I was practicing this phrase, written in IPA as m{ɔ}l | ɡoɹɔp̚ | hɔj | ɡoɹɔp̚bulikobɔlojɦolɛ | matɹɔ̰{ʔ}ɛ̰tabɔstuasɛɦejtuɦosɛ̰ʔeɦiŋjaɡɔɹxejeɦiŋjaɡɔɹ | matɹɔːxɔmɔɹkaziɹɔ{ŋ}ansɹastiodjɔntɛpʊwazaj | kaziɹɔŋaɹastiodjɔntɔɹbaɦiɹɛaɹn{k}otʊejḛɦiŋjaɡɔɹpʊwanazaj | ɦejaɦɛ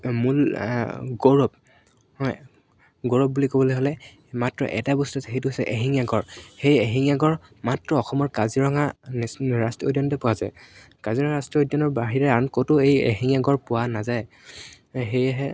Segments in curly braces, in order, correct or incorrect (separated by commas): incorrect, correct, correct, correct